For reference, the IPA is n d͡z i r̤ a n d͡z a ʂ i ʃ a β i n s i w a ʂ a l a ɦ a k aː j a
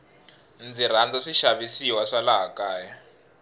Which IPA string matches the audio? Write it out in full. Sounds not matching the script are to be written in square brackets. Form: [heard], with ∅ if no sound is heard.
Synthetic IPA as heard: n d͡z i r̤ a n d͡z a ʂ i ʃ a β i [∅] s i w a ʂ a l a ɦ a k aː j a